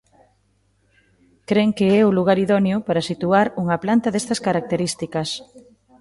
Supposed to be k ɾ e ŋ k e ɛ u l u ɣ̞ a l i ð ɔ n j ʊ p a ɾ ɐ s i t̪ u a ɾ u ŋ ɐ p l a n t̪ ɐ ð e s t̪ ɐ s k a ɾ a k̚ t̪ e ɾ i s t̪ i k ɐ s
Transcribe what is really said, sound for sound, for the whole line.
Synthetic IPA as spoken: k ɾ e ŋ k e ɛ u l u ɣ̞ a ɾ i ð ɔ n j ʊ p a ɾ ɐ s i t̪ u a ɾ u ŋ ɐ p l a n t̪ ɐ ð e s t̪ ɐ s k a ɾ a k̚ t̪ e ɾ i s t̪ i k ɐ s